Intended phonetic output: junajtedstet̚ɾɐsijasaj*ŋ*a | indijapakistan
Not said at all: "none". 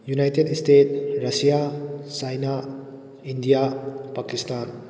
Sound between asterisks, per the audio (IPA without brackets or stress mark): n